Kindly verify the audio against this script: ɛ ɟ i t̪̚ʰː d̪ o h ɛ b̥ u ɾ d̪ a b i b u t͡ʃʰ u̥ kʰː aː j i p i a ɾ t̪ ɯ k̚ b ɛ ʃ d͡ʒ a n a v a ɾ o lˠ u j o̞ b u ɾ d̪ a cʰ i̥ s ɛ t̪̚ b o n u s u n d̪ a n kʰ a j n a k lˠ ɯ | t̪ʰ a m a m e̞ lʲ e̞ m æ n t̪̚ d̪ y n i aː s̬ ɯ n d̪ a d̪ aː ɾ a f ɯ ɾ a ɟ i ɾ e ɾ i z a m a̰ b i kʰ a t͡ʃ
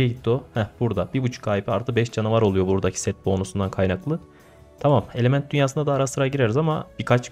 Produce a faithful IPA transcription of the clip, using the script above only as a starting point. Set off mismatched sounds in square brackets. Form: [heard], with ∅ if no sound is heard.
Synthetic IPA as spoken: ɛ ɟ i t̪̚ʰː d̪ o h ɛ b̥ u ɾ d̪ a b i b u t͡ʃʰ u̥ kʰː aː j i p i a ɾ t̪ ɯ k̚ b ɛ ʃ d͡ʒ a n a v a ɾ o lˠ u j o̞ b u ɾ d̪ a cʰ i̥ s ɛ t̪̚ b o n u s u n d̪ a n kʰ a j n a k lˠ ɯ | t̪ʰ a m a m e̞ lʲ e̞ m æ n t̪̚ d̪ y n [j] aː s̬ ɯ n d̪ a d̪ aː ɾ a [s] ɯ ɾ a ɟ i ɾ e ɾ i z a m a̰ b i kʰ a t͡ʃ